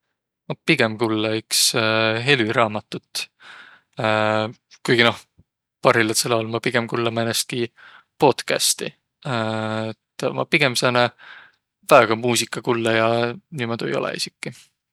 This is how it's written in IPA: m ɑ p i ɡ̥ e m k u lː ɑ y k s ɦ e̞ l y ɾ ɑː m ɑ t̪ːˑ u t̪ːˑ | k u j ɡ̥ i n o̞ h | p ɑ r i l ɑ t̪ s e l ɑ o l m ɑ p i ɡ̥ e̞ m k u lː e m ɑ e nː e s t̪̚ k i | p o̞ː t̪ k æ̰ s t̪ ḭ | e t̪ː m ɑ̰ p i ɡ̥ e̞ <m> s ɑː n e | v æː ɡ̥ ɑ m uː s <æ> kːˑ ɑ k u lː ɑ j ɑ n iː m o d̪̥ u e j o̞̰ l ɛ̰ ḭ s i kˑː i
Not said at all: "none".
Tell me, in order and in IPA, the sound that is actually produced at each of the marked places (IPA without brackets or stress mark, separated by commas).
m, i